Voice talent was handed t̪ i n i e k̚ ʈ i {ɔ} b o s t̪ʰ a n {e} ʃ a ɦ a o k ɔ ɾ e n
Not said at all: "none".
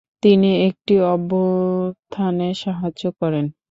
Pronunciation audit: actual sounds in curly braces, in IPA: ɔ, e

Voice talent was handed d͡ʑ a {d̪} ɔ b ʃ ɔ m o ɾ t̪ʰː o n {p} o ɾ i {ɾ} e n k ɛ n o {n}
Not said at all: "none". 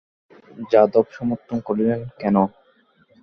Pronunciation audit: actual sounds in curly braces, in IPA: d̪, k, l, none

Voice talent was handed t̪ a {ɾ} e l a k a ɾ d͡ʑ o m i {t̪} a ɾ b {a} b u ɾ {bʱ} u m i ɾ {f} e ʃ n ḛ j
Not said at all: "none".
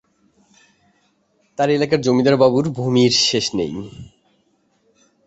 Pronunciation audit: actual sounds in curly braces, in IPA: ɾ, d̪, a, bʱ, ʃ

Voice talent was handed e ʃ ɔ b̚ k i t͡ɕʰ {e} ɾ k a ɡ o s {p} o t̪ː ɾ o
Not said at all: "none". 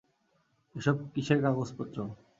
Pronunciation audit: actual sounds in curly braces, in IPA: e, p

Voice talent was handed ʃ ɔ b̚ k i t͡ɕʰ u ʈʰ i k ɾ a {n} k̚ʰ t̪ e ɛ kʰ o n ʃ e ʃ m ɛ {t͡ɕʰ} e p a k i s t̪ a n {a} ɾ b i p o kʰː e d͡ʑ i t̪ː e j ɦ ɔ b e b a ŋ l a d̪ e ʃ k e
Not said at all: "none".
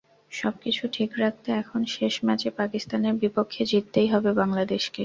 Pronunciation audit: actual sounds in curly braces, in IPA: none, t͡ɕ, e

